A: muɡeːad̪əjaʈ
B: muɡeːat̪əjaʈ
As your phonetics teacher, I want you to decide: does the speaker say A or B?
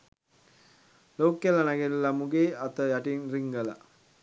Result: B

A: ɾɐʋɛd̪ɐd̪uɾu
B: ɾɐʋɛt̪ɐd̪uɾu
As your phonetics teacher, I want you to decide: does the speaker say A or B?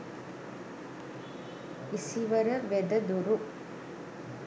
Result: A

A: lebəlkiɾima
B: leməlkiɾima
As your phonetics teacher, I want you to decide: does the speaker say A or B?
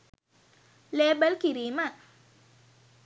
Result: A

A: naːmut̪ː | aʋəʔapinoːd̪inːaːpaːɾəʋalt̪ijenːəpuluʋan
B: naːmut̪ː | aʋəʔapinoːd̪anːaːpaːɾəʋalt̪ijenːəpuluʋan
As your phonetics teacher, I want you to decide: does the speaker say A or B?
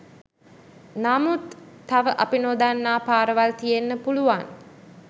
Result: B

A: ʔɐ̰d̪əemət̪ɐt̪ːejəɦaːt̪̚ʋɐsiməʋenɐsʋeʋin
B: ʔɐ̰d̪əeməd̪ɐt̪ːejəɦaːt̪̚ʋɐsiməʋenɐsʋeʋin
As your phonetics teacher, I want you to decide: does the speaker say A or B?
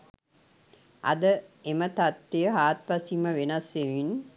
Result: A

